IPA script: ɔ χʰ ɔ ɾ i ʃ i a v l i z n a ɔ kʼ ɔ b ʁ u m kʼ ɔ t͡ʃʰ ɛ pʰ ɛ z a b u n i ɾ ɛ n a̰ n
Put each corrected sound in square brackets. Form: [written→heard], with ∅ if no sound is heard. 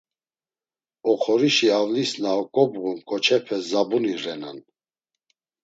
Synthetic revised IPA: ɔ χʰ ɔ ɾ i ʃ i a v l i [z→s] n a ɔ kʼ ɔ b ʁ u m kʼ ɔ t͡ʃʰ ɛ pʰ ɛ z a b u n i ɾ ɛ n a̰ n

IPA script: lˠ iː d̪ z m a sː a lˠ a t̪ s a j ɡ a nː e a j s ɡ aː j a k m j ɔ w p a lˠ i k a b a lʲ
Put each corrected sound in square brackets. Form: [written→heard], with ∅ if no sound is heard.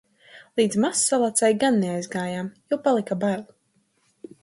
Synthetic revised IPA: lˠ iː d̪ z m a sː a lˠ a t̪ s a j ɡ a nː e a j [s→z] ɡ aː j a [k→∅] m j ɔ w p a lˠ i k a b a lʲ

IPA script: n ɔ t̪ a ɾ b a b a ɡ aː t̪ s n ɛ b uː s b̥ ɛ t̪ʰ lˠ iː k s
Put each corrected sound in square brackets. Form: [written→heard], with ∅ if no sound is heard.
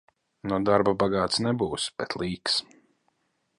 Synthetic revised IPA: n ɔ [t̪→d̪] a ɾ b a b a ɡ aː t̪ s n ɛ b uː s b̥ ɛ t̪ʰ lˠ iː k s

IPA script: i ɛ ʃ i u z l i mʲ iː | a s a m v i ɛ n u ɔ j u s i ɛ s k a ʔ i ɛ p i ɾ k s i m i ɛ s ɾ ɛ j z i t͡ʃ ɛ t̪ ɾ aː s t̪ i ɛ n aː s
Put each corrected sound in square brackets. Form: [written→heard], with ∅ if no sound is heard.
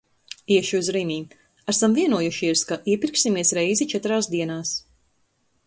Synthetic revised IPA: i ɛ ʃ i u z [l→ɾ] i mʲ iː | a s a m v i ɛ n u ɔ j u [s→ʃ] i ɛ s k a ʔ i ɛ p i ɾ k s i m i ɛ s ɾ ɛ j z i t͡ʃ ɛ t̪ ɾ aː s [t̪→d̪] i ɛ n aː s

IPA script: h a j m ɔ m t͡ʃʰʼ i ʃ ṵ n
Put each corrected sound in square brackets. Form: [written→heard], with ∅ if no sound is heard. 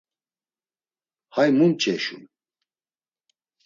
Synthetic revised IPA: h a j m [ɔ→u] m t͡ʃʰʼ [i→ɛ] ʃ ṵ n

